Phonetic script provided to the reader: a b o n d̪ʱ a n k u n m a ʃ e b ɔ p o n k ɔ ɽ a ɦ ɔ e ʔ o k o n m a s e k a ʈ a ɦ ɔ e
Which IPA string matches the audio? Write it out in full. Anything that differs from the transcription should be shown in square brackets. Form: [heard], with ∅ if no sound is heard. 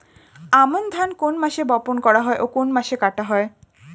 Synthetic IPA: a [m] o n d̪ʱ a n k [o] n m a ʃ e b ɔ p o n k ɔ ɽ a ɦ ɔ e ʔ o k o n m a [ʃ] e k a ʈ a ɦ ɔ e